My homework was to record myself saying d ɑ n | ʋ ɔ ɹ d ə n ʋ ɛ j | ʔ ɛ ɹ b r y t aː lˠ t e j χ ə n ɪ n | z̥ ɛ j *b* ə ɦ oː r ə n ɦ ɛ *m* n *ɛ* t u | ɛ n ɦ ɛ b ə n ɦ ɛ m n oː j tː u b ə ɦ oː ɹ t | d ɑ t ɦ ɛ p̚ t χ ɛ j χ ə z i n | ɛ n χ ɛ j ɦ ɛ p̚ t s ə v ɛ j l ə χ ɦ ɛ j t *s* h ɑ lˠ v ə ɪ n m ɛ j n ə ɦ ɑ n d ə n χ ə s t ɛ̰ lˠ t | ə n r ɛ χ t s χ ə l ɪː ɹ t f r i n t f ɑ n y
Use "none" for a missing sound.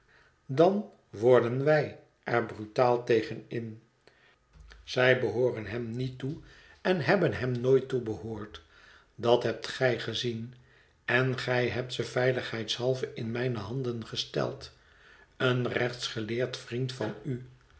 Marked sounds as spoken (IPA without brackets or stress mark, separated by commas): b, m, i, s